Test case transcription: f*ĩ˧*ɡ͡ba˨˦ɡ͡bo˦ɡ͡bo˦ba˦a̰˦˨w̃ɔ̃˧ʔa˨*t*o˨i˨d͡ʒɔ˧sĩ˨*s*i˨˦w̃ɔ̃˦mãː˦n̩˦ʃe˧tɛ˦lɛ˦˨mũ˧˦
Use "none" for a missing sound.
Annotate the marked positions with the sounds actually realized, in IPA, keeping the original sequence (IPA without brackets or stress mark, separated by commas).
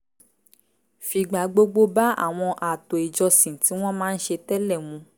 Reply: i˧, t, t